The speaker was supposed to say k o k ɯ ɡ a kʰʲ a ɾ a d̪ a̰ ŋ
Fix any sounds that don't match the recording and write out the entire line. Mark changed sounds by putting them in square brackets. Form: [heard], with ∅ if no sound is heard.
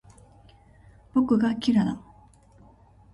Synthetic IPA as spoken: [p] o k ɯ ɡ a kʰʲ [i] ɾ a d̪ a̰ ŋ